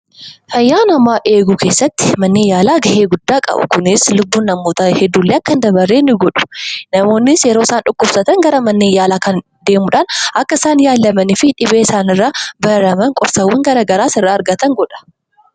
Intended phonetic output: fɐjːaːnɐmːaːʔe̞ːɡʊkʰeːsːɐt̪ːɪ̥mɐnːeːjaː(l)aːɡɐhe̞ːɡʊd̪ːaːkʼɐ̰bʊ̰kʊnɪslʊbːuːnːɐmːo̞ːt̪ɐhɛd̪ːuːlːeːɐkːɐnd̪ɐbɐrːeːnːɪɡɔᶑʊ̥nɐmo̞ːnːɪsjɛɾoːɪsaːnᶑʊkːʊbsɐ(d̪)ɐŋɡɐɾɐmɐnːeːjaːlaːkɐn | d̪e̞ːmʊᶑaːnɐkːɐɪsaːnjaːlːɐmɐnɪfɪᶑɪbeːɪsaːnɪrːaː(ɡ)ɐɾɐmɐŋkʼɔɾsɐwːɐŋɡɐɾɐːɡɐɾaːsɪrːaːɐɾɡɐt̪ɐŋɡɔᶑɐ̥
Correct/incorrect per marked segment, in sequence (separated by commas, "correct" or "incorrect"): correct, incorrect, incorrect